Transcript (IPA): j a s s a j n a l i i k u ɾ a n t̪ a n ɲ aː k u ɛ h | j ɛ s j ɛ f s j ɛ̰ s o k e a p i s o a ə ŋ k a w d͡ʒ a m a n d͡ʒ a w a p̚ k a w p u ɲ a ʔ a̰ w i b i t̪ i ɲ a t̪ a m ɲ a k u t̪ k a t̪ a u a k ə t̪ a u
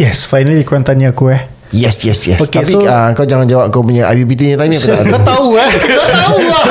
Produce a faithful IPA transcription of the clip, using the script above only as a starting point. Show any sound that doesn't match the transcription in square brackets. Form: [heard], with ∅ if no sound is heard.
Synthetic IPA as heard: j [ɛ] s [f] a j n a l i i k u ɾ a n t̪ a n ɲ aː k u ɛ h | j ɛ s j ɛ [∅] s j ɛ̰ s o k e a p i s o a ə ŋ k a w d͡ʒ a [ŋ] a n d͡ʒ a w a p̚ k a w p u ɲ a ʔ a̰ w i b i t̪ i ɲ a t̪ a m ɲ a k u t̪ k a t̪ a u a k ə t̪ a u